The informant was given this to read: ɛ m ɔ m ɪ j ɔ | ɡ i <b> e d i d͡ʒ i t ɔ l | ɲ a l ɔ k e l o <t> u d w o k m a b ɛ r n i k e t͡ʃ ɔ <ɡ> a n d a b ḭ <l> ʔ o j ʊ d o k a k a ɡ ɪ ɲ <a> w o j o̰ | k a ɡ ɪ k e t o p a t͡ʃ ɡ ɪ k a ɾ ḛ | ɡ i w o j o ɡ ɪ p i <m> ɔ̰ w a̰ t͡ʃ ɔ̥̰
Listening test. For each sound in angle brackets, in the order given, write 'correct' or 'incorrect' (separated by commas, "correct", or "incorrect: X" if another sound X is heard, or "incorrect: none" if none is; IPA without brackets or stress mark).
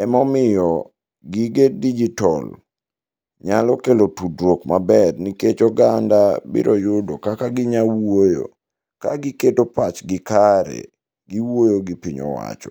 incorrect: ɡ, correct, correct, incorrect: ɾ, correct, incorrect: ɲ